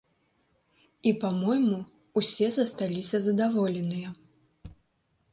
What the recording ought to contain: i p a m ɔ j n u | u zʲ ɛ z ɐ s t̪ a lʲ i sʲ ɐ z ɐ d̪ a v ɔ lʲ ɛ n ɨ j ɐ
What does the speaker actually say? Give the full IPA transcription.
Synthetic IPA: i p a m ɔ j m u | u sʲ ɛ z ɐ s t̪ a lʲ i sʲ ɐ z ɐ d̪ a v ɔ lʲ ɛ n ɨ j ɐ